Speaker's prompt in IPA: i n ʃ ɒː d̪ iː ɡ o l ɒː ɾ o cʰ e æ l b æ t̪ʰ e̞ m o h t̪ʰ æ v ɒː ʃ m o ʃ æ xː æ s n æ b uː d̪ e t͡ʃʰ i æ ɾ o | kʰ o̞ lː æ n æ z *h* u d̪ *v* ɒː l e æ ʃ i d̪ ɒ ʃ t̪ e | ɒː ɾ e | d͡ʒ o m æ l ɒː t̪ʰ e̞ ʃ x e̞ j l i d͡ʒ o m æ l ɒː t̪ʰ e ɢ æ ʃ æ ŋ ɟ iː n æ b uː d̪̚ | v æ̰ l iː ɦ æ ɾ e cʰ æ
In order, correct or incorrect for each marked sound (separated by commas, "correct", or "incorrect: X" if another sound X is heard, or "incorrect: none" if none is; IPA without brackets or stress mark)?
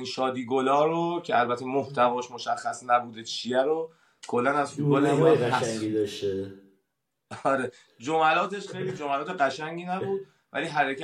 incorrect: f, incorrect: b